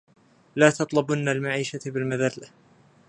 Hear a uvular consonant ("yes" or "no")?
no